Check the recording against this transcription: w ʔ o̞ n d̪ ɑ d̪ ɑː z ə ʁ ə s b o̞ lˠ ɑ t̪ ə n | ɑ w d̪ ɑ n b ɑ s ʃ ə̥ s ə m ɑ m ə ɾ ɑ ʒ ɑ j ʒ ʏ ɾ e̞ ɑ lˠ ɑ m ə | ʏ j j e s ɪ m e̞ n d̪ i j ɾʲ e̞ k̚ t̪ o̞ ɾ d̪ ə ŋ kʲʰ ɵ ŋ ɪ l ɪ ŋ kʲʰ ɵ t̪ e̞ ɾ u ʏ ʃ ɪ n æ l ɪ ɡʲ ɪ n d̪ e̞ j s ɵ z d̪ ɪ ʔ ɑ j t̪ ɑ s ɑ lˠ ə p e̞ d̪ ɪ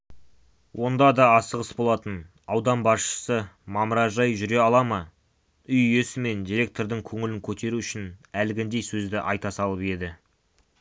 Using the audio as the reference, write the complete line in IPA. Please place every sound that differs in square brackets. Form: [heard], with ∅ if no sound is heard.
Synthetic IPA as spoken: w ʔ o̞ n d̪ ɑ d̪ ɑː [s] ə ʁ ə s b o̞ lˠ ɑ t̪ ə n | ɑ w d̪ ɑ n b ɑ s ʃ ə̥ s ə m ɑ m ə ɾ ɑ ʒ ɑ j ʒ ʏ ɾ e̞ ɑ lˠ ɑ m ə | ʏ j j e s ɪ m e̞ n d̪ i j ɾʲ e̞ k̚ t̪ o̞ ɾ d̪ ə ŋ kʲʰ ɵ ŋ ɪ l ɪ ŋ kʲʰ ɵ t̪ e̞ ɾ u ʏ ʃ ɪ n æ l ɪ ɡʲ ɪ n d̪ e̞ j s ɵ z d̪ ɪ ʔ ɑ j t̪ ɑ s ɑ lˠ ə p e̞ d̪ ɪ